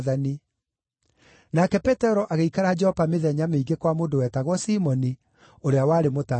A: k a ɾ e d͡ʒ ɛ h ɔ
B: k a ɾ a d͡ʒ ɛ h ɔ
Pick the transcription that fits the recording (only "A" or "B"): B